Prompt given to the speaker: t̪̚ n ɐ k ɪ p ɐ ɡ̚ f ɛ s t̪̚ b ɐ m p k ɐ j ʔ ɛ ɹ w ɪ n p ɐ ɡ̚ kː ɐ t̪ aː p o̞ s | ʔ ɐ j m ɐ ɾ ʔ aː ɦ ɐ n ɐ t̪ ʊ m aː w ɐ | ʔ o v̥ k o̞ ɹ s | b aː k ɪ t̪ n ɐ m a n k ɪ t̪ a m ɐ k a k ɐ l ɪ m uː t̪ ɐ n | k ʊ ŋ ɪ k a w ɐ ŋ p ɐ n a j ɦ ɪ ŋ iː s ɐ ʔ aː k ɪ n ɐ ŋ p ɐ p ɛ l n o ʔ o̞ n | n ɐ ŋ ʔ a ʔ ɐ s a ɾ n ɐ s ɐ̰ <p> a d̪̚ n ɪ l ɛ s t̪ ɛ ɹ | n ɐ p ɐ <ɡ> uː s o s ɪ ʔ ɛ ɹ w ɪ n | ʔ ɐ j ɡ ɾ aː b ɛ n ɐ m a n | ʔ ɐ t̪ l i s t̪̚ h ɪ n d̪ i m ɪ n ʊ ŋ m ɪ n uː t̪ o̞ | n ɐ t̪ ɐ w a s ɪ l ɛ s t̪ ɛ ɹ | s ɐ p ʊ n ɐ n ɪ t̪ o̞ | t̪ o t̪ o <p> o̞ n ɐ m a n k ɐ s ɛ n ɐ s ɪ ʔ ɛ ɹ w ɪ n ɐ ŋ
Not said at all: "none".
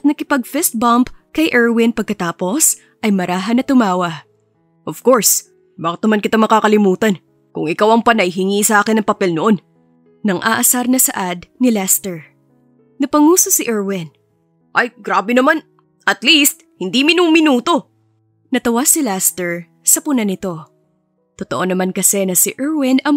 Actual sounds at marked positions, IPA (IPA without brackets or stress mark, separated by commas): ʔ, ŋ, ʔ